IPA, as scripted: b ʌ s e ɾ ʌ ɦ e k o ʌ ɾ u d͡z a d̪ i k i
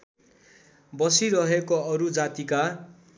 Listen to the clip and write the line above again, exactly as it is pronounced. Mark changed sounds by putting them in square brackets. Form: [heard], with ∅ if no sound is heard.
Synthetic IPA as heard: b ʌ s [i] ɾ ʌ ɦ e k o ʌ ɾ u d͡z a [t̪] i k [a]